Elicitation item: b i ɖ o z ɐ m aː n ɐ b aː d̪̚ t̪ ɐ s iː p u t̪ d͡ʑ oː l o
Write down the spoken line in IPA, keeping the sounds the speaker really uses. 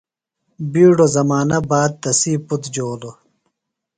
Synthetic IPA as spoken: b iː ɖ o z ɐ m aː n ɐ b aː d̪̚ t̪ ɐ s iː p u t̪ d͡ʑ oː l o